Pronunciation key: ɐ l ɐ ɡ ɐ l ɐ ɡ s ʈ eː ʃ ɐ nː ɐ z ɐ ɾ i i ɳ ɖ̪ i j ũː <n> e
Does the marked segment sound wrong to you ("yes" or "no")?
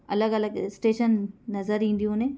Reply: no